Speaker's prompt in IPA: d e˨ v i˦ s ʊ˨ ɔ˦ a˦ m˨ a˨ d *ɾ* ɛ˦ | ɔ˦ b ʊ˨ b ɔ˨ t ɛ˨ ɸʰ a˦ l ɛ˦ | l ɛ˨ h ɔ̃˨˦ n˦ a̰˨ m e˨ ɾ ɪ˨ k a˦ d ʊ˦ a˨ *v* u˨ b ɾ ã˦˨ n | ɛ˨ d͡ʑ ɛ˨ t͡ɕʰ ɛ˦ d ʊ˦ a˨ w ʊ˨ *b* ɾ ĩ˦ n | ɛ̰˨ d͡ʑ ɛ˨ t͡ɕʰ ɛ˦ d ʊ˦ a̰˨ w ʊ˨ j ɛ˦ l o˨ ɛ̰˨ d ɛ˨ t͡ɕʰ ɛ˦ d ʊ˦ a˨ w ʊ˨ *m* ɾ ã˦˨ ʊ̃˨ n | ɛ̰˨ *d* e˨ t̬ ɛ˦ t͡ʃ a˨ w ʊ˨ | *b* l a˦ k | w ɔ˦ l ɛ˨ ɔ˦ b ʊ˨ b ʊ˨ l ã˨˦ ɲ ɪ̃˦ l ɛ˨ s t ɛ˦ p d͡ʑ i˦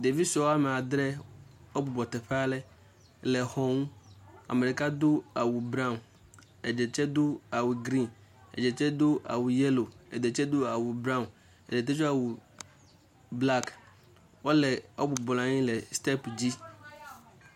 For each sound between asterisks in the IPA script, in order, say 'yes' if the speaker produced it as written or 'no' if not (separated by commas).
yes, no, no, no, yes, yes